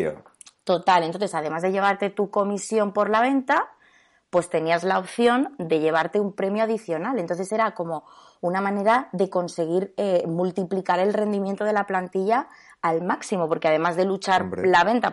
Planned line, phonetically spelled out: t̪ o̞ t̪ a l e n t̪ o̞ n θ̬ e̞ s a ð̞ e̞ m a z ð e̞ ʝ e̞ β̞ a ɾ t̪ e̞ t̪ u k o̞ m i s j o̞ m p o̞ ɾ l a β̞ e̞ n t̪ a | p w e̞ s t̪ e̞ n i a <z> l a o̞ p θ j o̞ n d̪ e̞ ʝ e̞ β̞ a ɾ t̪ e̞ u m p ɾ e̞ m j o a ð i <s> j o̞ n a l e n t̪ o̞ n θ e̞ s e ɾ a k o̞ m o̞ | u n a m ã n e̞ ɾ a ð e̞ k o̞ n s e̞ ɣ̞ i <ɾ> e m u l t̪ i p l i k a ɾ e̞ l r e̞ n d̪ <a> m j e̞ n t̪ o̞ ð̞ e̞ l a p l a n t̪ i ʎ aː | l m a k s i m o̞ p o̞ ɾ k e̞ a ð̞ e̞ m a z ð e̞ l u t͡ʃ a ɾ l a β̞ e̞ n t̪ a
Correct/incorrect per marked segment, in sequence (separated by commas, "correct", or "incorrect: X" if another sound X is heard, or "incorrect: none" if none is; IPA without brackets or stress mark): correct, incorrect: θ, correct, incorrect: i